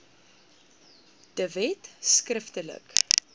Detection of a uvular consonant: absent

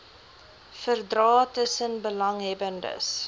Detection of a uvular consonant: absent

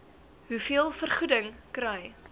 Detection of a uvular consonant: present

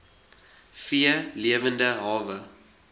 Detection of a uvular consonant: absent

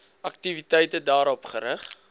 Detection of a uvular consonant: present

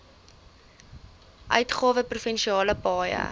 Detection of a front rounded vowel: present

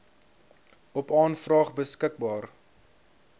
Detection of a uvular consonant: present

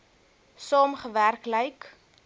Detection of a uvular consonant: present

